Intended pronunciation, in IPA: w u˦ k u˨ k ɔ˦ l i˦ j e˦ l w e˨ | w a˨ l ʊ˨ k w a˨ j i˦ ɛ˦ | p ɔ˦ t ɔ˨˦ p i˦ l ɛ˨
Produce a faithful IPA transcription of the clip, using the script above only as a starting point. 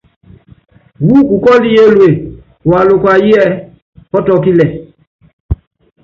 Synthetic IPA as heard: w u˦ k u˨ k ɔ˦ l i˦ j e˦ l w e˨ | w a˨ l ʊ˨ k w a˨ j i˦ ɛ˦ | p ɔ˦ t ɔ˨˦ k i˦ l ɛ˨